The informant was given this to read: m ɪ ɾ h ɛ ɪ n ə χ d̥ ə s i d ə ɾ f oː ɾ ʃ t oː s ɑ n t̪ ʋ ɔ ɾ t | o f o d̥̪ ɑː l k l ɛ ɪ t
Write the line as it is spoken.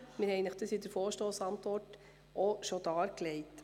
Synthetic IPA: m ɪ ɾ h ɛ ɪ n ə χ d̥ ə s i d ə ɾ f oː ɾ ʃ t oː s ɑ n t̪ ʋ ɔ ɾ t | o ʃ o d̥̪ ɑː ɾ k l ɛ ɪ t